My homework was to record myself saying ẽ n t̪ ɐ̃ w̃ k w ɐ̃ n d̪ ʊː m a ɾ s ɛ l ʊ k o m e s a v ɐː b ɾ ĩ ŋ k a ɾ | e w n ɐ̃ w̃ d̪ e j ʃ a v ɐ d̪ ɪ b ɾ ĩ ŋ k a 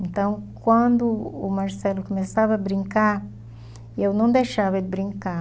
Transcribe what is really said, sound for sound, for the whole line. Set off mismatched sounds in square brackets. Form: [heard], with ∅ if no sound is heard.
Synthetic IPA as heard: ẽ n t̪ ɐ̃ w̃ k w ɐ̃ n d̪ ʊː m a ɾ s ɛ l ʊ k o m e s a v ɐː b ɾ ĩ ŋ k a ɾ | e w n ɐ̃ w̃ d̪ e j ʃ a v ɐ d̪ ɪ b ɾ ĩ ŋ k a